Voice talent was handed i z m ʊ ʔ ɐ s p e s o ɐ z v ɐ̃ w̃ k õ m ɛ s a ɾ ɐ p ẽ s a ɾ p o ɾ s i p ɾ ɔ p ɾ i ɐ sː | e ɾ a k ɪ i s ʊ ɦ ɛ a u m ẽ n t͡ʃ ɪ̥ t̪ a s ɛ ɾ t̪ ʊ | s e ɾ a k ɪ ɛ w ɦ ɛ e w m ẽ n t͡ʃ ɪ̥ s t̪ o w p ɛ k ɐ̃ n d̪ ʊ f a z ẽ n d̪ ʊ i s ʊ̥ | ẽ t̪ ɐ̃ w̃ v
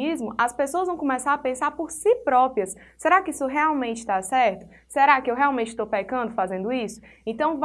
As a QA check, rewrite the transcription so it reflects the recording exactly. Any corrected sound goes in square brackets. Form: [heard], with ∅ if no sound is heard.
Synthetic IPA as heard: i z m ʊ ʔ ɐ s p e s o ɐ z v ɐ̃ w̃ k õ m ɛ s a ɾ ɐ p ẽ s a ɾ p o ɾ s i p ɾ ɔ p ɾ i ɐ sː | e ɾ a k ɪ i s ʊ ɦ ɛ a [w] m ẽ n t͡ʃ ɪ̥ t̪ a s ɛ ɾ t̪ ʊ | s e ɾ a k ɪ [e] w ɦ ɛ [a] w m ẽ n t͡ʃ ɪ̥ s t̪ o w p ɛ k ɐ̃ n d̪ ʊ f a z ẽ n d̪ ʊ i s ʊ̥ | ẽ t̪ ɐ̃ w̃ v

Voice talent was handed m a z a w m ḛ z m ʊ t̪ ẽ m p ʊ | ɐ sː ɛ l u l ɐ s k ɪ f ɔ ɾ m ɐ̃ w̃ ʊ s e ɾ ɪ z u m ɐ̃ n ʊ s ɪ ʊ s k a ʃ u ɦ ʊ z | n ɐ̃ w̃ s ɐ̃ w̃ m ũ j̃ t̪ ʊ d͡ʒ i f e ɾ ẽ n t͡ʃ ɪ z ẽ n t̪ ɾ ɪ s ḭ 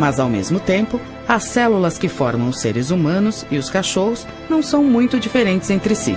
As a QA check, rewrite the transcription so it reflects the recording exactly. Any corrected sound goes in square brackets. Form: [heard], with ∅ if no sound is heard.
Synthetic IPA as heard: m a z a w m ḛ z m ʊ t̪ ẽ m p ʊ | ɐ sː ɛ l u l ɐ s k ɪ f ɔ ɾ m ɐ̃ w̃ ʊ s e ɾ ɪ z u m ɐ̃ n ʊ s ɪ ʊ s k a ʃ [o] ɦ ʊ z | n ɐ̃ w̃ s ɐ̃ w̃ m ũ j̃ t̪ ʊ d͡ʒ i f e ɾ ẽ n t͡ʃ ɪ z ẽ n t̪ ɾ ɪ s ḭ

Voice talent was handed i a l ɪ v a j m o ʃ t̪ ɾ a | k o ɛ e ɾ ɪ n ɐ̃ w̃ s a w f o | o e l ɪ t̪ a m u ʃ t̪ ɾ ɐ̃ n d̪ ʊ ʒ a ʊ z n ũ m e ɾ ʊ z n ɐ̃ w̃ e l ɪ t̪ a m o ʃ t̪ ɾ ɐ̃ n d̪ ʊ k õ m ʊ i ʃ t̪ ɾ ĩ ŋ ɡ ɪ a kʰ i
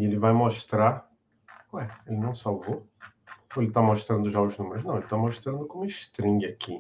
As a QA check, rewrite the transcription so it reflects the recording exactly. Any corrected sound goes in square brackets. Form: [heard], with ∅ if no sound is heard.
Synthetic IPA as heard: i [e] l ɪ v a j m o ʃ t̪ ɾ a | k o ɛ e [l] ɪ n ɐ̃ w̃ s a w [v] o | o e l ɪ t̪ a m [o] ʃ t̪ ɾ ɐ̃ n d̪ ʊ ʒ a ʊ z n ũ m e ɾ ʊ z n ɐ̃ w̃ e l ɪ t̪ a m o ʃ t̪ ɾ ɐ̃ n d̪ ʊ k õ m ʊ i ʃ t̪ ɾ ĩ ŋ ɡ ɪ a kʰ i

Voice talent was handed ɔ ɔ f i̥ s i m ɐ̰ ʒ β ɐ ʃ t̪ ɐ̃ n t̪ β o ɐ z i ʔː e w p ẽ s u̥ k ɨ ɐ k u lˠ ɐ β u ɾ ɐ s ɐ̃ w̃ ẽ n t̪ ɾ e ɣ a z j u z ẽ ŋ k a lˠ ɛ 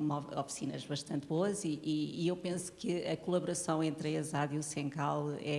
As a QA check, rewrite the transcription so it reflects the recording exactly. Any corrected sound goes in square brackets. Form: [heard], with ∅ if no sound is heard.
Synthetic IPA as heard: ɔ ɔ f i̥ s i [n] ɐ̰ ʒ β ɐ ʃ t̪ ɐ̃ n t̪ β o ɐ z i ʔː e w p ẽ s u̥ k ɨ ɐ k u lˠ ɐ β u ɾ ɐ s ɐ̃ w̃ ẽ n t̪ ɾ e [z] a [ð] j u [s] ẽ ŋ k a lˠ ɛ

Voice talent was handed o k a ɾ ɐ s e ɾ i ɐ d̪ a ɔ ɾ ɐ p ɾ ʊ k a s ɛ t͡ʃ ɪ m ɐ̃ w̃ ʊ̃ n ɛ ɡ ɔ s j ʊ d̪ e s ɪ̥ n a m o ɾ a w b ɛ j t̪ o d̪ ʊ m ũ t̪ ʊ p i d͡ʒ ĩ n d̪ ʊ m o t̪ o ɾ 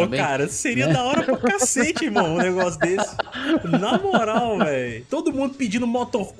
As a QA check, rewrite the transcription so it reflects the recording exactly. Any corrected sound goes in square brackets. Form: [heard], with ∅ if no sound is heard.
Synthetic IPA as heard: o k a ɾ ɐ s e ɾ i ɐ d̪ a ɔ ɾ ɐ p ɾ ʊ k a s [e] t͡ʃ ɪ m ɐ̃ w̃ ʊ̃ n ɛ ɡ ɔ s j ʊ d̪ e s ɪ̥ n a m o ɾ a w [v] ɛ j t̪ o d̪ ʊ m ũ [d̪] ʊ p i d͡ʒ ĩ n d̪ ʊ m o t̪ o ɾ

